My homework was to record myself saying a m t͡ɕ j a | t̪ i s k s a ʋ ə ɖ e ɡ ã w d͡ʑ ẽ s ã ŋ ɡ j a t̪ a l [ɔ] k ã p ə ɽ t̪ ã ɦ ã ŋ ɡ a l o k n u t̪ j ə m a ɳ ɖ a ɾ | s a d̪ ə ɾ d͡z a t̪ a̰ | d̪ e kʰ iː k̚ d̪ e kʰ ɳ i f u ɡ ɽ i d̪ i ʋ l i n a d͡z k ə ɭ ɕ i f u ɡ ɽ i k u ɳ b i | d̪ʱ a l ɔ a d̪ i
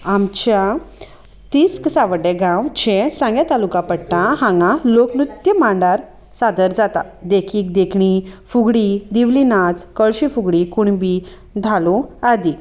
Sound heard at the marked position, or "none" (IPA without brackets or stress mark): u